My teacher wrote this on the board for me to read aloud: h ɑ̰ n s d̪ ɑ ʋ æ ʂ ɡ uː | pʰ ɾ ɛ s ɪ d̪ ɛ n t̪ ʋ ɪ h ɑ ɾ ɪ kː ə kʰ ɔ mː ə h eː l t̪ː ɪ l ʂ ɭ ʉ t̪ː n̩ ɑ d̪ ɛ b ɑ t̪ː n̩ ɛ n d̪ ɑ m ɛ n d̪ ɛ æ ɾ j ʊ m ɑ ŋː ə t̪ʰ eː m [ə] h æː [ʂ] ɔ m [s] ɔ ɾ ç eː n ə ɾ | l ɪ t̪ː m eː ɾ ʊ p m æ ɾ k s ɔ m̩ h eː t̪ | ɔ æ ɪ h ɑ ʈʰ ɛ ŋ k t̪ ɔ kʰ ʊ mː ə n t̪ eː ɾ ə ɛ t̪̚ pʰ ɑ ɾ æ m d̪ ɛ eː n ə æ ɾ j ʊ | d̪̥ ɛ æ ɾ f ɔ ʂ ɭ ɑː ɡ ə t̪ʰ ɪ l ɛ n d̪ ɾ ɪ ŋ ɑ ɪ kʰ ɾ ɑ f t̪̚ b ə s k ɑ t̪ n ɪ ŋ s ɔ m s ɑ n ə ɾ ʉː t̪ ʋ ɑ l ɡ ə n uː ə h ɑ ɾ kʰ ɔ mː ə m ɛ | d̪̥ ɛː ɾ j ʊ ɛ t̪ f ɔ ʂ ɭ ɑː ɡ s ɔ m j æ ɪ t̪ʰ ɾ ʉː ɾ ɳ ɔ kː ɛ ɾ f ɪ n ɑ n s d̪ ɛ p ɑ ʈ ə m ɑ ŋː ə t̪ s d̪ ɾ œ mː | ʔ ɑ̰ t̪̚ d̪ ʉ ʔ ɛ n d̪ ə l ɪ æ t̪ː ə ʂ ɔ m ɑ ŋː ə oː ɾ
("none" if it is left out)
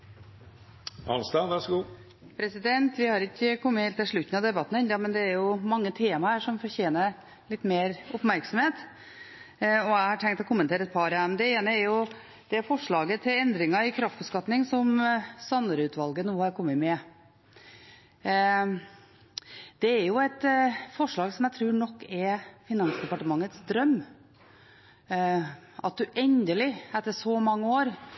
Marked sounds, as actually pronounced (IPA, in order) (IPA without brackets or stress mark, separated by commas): ɑ, ʂ, f